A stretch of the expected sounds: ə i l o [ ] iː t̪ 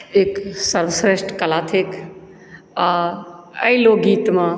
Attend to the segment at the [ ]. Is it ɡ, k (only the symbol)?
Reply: ɡ